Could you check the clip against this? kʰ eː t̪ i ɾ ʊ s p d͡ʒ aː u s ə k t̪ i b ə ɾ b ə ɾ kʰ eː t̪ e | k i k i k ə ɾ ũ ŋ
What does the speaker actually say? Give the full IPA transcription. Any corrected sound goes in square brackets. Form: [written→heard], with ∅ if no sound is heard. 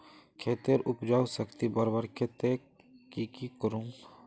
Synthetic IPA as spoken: kʰ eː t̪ [i→e] ɾ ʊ [s→∅] p d͡ʒ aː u s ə k t̪ i b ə ɾ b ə ɾ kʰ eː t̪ e | k i k i k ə ɾ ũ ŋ